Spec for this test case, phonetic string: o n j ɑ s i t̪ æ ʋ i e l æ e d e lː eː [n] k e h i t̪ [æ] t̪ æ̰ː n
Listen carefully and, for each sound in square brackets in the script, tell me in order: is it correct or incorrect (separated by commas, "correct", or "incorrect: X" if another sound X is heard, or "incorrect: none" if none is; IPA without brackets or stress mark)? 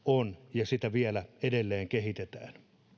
incorrect: ŋ, incorrect: e